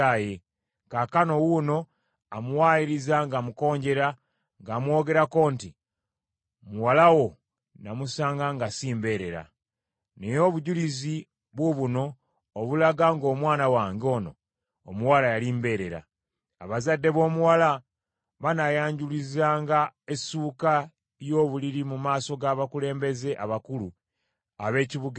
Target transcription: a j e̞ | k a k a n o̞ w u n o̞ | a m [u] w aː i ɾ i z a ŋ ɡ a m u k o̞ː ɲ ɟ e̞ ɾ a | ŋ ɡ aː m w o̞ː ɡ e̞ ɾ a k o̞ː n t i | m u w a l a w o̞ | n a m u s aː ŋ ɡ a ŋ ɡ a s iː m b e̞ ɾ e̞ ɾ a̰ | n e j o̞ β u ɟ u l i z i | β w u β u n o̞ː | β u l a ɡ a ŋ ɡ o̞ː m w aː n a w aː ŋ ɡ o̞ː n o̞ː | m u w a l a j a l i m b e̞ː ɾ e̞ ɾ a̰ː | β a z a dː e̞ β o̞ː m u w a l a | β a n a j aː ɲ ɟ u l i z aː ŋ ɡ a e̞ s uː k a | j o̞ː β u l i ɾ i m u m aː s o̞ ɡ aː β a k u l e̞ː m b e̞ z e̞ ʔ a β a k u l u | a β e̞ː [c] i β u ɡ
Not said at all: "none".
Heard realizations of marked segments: u, c

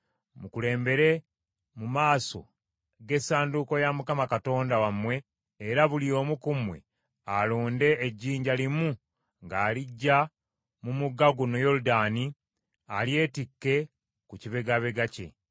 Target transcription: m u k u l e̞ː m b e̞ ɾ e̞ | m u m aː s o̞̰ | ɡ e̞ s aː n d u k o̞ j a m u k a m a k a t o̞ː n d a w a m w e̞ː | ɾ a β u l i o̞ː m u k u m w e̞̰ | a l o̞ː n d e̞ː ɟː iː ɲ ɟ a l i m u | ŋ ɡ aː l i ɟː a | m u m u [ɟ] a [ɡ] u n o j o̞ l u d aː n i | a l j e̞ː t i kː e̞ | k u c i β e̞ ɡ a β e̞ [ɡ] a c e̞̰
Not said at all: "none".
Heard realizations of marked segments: ɡ, ɡ, ɡ

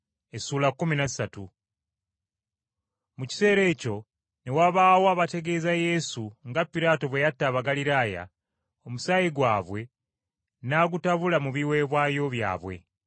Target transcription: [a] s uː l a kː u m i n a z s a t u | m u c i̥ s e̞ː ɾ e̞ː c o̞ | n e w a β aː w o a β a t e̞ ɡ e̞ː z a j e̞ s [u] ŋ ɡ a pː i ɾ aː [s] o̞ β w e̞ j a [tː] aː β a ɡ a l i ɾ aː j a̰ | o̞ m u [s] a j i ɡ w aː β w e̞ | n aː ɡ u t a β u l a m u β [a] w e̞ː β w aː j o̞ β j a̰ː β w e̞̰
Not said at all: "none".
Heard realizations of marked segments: e, u, t, tː, s, i

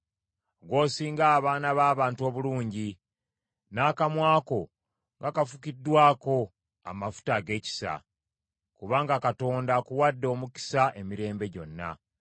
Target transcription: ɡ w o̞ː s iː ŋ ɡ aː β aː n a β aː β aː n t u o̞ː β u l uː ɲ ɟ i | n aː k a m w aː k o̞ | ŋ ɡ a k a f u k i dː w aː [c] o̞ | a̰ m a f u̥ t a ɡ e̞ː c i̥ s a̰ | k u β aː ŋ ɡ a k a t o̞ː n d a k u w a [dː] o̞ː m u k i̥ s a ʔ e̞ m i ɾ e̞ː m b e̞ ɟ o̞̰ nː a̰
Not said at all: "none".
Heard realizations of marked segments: k, dː

